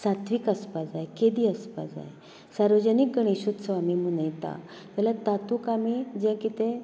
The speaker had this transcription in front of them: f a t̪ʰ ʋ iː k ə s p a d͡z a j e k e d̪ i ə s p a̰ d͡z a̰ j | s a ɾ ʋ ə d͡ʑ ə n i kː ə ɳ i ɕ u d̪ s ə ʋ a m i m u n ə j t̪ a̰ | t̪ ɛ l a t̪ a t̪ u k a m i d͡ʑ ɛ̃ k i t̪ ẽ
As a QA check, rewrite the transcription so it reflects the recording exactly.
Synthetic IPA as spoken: s a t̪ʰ ʋ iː k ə s p a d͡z a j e k e d̪ i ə s p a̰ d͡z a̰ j | s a ɾ ʋ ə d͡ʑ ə n i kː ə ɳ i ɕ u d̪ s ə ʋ a m i m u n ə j t̪ a̰ | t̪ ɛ l a t̪ a t̪ u k a m i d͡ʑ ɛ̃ k i t̪ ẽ